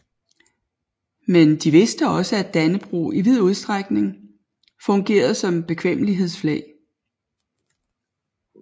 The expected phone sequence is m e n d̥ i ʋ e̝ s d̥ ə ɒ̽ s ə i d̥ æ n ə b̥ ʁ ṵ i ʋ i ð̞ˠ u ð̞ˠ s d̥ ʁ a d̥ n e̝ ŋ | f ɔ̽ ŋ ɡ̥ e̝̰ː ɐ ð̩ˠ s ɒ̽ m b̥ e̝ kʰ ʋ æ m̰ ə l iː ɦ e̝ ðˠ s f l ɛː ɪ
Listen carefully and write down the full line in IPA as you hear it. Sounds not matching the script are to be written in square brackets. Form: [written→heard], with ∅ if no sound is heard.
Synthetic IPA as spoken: m e n d̥ i ʋ e̝ s d̥ ə ɒ̽ s ə [i→æ] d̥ æ n ə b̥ ʁ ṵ i ʋ i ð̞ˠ u ð̞ˠ s d̥ ʁ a [d̥→ɡ̥] n e̝ ŋ | f ɔ̽ ŋ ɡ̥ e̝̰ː ɐ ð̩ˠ s ɒ̽ m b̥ e̝ kʰ ʋ [æ→e] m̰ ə l [iː→i] ɦ e̝ ðˠ s f l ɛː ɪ